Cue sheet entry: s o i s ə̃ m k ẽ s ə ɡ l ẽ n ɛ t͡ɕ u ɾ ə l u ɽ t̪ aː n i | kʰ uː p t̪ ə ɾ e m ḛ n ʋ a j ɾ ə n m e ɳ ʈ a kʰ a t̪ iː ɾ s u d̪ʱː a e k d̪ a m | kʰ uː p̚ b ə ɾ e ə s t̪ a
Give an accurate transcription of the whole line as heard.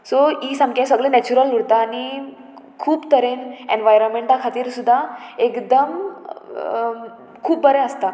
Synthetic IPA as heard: s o i s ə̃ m k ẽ s ə ɡ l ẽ n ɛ t͡ɕ u ɾ ə l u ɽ t̪ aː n i | kʰ uː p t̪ ə ɾ e n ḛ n ʋ a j ɾ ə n m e ɳ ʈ a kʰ a t̪ iː ɾ s u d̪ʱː a e k d̪ ə m | kʰ uː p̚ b ə ɾ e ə s t̪ a